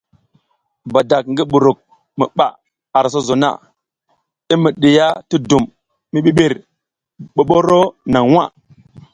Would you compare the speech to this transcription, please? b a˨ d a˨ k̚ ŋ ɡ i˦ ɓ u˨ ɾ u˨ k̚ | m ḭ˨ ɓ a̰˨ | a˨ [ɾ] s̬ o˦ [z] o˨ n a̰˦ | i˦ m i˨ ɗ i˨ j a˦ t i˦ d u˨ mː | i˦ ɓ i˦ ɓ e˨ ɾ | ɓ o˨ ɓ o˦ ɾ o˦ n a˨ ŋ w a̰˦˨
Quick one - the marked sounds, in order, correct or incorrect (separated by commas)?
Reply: correct, correct